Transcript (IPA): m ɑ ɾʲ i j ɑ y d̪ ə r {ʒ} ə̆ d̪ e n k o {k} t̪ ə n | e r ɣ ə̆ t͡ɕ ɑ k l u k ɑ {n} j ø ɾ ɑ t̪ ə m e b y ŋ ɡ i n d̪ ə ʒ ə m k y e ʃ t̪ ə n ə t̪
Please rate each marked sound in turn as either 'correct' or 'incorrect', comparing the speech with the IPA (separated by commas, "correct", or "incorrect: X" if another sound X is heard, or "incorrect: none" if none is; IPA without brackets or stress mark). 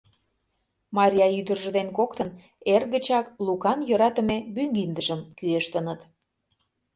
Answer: correct, correct, correct